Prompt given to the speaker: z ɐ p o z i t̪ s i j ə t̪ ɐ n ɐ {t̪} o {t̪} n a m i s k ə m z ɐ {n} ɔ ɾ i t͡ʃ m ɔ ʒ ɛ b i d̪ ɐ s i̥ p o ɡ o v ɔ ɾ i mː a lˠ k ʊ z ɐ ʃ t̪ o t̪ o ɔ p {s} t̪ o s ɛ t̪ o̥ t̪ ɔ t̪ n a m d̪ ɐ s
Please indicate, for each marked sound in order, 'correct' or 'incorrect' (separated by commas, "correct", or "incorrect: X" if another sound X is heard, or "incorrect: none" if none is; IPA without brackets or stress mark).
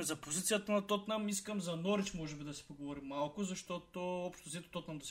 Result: correct, correct, correct, incorrect: ʃ